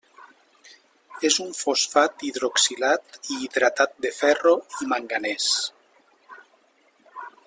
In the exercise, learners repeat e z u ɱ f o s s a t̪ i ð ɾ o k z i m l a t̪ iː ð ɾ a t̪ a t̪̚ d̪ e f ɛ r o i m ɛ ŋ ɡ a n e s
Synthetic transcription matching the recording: e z u ɱ f o s f a t̪ i ð ɾ o k s i l a t̪ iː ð ɾ a t̪ a t̪̚ d̪ e f ɛ r o i m a ŋ ɡ a n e s